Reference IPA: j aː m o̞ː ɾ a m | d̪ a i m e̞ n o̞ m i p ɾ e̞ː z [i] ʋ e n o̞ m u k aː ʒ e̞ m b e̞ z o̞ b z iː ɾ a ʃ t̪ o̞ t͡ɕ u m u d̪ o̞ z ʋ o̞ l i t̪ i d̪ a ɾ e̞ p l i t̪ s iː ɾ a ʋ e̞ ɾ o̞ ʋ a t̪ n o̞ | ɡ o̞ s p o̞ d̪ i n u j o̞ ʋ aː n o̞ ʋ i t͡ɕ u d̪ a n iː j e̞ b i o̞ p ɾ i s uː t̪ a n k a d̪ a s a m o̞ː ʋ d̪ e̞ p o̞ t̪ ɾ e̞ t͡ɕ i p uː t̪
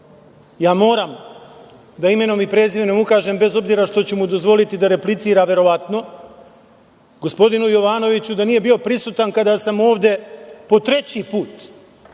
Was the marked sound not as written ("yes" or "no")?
no